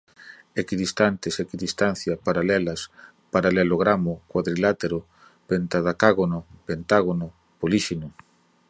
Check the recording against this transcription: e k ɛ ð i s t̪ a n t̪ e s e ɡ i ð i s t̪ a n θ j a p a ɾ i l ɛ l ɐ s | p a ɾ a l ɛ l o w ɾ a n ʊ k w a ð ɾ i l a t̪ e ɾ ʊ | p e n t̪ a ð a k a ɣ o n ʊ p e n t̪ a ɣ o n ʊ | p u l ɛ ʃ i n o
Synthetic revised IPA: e k i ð i s t̪ a n t̪ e s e k i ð i s t̪ a n θ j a p a ɾ a l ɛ l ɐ s | p a ɾ a l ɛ l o ɣ ɾ a m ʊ k w a ð ɾ i l a t̪ e ɾ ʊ | p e n t̪ a ð a k a ɣ o n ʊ p e n t̪ a ɣ o n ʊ | p o l i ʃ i n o